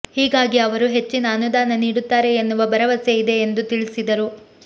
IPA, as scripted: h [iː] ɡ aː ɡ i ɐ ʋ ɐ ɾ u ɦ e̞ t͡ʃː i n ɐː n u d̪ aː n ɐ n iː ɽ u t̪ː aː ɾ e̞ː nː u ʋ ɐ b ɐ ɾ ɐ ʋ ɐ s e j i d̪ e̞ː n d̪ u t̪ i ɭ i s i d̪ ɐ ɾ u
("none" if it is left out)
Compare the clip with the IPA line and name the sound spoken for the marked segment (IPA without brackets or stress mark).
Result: iː